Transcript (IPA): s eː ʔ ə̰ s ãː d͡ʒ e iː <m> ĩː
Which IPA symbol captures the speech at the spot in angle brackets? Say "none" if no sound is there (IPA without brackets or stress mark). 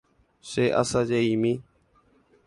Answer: m